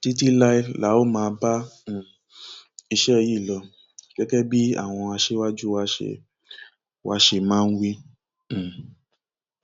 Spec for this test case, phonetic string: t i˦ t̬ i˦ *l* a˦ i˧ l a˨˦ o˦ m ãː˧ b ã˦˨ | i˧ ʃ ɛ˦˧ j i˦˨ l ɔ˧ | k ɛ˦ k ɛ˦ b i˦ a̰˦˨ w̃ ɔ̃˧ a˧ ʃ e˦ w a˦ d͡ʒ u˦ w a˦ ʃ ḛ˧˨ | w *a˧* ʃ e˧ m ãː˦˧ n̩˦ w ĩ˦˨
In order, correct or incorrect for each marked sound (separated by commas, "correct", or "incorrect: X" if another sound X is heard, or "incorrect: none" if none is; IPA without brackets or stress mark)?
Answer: correct, correct